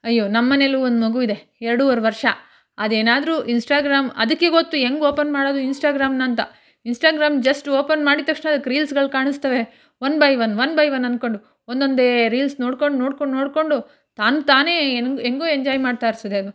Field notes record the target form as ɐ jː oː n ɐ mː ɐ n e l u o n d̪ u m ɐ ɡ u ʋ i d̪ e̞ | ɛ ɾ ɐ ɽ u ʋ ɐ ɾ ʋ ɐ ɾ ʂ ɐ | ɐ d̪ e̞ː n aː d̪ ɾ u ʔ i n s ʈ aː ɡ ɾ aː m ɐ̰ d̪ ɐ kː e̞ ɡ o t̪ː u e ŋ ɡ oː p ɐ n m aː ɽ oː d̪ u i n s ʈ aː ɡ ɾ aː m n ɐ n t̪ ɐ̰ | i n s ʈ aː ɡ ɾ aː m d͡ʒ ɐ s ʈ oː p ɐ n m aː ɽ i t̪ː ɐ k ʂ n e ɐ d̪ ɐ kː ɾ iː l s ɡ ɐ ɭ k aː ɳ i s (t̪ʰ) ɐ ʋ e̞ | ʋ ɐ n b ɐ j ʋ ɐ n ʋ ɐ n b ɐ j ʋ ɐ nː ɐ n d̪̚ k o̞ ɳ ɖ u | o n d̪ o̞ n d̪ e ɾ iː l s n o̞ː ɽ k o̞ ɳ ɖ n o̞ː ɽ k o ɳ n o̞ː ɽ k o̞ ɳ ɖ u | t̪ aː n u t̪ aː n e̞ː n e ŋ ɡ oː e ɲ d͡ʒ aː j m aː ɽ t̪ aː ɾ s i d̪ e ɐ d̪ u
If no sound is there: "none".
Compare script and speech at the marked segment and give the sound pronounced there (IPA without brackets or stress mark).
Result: t̪